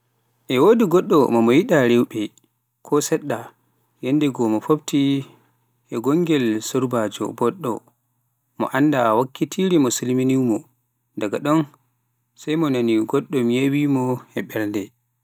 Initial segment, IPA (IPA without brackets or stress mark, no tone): ʔ